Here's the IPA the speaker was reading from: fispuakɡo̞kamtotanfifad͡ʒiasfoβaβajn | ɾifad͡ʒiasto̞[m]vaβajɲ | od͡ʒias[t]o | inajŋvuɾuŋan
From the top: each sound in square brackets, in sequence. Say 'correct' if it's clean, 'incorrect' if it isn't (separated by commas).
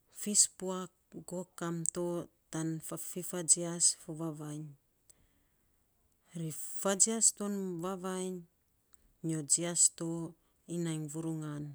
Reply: incorrect, correct